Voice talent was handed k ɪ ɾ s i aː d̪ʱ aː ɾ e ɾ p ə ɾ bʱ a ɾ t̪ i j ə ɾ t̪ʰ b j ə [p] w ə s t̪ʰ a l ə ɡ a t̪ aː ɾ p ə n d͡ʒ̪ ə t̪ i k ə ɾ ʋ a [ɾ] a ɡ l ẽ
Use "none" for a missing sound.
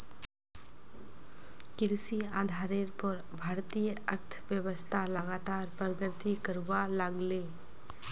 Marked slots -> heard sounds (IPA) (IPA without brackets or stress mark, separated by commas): none, l